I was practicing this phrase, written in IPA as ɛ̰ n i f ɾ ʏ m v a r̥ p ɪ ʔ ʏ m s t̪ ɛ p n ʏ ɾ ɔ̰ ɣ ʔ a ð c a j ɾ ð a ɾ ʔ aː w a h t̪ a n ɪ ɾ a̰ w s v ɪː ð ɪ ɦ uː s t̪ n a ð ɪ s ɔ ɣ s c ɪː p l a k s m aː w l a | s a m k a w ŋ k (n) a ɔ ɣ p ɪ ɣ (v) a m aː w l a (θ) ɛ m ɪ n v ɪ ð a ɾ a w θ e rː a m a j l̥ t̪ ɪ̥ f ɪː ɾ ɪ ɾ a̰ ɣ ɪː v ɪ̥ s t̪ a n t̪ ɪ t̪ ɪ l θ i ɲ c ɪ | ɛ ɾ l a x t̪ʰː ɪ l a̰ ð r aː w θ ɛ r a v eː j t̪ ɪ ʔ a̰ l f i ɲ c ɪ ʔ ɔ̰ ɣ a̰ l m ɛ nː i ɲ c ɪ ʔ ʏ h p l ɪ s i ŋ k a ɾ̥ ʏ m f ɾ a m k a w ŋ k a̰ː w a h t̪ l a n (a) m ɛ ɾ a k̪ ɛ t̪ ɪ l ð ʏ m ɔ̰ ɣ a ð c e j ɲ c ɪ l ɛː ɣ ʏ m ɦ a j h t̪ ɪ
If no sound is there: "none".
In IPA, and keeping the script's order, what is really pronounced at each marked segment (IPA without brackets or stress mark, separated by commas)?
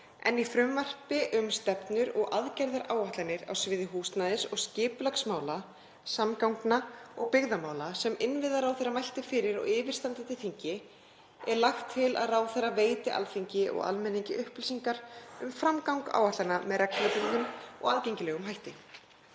n, ð, s, a